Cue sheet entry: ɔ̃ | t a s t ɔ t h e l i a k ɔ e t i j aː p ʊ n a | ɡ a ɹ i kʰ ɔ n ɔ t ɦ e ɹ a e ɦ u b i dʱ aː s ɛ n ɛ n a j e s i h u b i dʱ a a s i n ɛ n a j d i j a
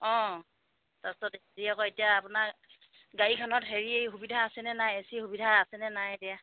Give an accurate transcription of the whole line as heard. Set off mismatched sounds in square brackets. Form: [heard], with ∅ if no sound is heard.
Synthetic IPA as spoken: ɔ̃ | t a s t ɔ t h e [ɹ] i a k ɔ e t i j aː p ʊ n a | ɡ a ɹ i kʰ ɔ n ɔ t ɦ e ɹ [i] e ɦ u b i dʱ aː s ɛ n ɛ n a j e s i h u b i dʱ a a s [ɛ] n ɛ n a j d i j a